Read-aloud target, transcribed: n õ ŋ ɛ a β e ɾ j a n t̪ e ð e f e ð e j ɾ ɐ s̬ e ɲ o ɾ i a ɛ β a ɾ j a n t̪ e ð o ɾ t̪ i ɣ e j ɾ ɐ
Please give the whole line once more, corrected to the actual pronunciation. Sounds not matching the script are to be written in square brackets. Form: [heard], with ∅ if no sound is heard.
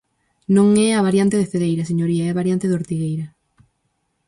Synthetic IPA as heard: n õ ŋ ɛ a β [a] ɾ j a n t̪ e ð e f e ð e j ɾ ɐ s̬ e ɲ o ɾ i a ɛ β a ɾ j a n t̪ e ð o ɾ t̪ i ɣ e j ɾ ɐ

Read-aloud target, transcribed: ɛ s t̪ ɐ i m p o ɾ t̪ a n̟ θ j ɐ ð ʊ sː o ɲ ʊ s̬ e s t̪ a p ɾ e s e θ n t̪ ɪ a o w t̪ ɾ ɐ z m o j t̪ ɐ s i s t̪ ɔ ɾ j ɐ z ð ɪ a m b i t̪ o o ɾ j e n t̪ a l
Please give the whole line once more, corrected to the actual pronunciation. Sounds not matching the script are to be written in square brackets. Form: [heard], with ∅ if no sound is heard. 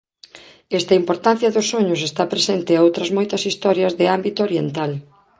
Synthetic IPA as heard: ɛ s t̪ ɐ i m p o ɾ t̪ a n̟ θ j ɐ ð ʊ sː o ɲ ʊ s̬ e s t̪ a p ɾ e s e [∅] n t̪ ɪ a o w t̪ ɾ ɐ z m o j t̪ ɐ s i s t̪ ɔ ɾ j ɐ z ð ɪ a m b i t̪ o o ɾ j e n t̪ a l

